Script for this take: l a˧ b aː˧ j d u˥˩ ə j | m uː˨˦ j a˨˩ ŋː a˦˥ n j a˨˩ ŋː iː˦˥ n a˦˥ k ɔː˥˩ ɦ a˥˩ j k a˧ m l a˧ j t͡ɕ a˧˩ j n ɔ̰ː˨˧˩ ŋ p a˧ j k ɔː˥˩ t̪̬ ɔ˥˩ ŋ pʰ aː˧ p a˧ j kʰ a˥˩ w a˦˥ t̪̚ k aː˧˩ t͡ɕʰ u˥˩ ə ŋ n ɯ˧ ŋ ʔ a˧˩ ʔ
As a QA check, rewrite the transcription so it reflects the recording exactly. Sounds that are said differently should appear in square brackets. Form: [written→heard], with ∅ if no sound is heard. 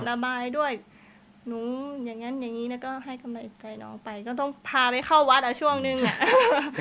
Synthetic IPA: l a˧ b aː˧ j d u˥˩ ə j | [m→n] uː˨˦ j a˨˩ ŋː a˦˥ n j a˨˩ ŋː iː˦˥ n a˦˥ k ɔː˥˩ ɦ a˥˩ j k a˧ m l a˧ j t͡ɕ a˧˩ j n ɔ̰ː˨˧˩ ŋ p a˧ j k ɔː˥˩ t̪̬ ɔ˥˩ ŋ pʰ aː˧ p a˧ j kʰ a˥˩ w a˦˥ t̪̚ [k→ʔ] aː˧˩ t͡ɕʰ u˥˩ ə ŋ n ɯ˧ ŋ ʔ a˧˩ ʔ